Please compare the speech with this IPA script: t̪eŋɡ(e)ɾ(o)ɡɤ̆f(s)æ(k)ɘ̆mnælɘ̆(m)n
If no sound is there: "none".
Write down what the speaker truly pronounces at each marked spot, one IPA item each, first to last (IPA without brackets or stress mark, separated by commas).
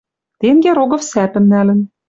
e, o, s, p, none